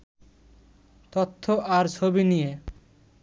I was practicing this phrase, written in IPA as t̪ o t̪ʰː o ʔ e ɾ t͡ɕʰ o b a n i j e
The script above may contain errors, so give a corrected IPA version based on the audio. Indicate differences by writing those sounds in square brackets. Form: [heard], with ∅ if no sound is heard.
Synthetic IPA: t̪ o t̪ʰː o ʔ [a] ɾ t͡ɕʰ o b [i] n i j e